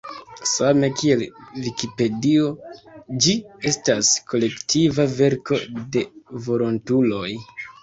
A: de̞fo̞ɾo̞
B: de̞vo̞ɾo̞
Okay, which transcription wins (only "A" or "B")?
B